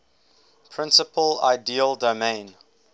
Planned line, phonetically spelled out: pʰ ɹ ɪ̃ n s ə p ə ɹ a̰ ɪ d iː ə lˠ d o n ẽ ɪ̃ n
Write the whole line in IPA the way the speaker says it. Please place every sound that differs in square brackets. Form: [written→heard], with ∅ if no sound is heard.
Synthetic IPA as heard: pʰ ɹ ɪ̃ n s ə p ə [ɹ→l] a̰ ɪ d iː ə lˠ d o [n→m] ẽ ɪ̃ n